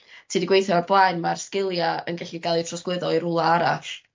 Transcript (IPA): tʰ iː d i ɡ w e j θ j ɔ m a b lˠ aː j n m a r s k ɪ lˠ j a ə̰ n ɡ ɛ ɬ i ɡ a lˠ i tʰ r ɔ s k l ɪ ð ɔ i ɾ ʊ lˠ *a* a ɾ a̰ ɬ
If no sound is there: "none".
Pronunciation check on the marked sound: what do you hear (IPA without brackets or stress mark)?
a